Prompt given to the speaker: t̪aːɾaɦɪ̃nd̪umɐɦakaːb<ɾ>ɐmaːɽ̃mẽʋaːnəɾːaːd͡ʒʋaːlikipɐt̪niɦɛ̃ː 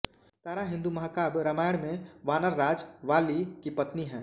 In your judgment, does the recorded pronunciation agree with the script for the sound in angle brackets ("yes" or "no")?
yes